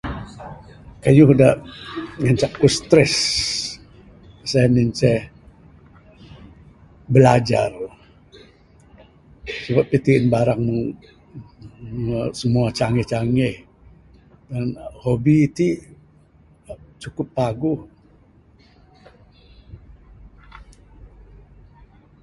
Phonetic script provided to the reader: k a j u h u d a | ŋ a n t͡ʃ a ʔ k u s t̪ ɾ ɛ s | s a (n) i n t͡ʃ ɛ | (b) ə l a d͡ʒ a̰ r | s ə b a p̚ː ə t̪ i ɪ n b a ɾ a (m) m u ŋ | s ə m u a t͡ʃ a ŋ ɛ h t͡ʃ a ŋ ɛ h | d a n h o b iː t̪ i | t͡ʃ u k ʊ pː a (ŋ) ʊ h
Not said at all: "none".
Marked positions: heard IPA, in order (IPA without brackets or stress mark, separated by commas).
n, b, ŋ, ɡ